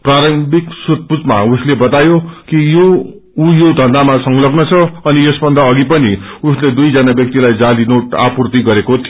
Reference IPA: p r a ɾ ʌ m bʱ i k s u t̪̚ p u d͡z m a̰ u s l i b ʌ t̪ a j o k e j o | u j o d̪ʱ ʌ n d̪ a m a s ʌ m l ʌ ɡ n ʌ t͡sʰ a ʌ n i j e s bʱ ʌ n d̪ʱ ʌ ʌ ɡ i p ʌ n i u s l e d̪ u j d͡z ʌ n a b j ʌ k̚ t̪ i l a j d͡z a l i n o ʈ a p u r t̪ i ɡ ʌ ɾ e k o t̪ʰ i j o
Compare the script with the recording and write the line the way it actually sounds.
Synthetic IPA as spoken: p r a ɾ ʌ m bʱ i k s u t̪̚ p u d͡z m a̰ u s l e b ʌ t̪ a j o k i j o | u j o d̪ʱ ʌ n d̪ a m a s ʌ ŋ l ʌ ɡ n ʌ t͡sʰ ʌ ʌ n i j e s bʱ ʌ n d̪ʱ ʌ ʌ ɡ i p ʌ n i u s l e d̪ u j d͡z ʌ n a b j ʌ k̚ t̪ i l a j d͡z a l i n o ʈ a p u r t̪ i ɡ ʌ ɾ e k o t̪ʰ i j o